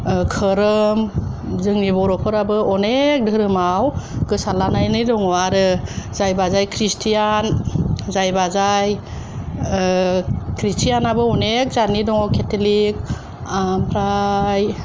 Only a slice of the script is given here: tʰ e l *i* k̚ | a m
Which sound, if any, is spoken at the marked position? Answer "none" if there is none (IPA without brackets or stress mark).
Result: i